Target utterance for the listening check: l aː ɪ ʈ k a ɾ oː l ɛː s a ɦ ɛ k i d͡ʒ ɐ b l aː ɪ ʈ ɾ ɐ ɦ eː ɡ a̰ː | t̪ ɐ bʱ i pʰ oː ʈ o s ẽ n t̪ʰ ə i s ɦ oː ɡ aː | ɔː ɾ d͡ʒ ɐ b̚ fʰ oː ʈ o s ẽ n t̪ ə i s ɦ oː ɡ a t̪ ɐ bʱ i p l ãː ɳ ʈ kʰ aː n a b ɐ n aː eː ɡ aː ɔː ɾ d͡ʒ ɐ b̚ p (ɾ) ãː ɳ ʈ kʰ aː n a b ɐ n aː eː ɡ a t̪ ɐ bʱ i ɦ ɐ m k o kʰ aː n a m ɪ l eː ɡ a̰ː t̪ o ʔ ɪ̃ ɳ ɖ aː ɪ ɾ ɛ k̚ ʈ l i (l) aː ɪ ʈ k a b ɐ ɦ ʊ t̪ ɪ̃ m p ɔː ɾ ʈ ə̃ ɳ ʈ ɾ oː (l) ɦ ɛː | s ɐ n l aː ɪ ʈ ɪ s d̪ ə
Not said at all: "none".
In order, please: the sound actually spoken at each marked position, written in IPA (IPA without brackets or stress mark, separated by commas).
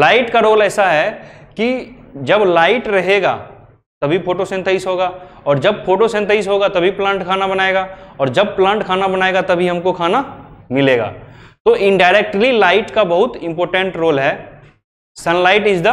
l, l, l